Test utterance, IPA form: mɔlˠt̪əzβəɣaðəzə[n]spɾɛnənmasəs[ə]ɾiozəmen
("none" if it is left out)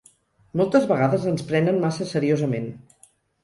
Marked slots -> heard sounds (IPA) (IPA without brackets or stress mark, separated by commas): n, ə